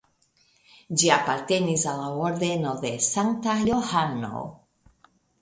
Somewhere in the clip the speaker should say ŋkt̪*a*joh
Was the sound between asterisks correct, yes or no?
yes